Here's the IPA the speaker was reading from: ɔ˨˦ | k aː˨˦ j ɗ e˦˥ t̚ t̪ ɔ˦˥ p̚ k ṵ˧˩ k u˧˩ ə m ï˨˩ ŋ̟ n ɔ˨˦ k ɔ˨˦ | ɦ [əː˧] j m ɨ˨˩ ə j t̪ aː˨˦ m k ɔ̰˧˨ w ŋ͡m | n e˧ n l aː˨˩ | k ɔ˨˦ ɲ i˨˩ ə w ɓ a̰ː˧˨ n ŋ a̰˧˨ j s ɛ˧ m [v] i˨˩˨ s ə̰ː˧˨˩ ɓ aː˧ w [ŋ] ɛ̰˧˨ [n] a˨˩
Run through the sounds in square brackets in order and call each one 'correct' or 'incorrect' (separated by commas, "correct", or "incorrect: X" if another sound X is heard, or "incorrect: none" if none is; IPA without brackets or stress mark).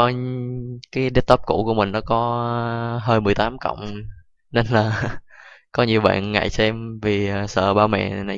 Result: correct, correct, incorrect: m, correct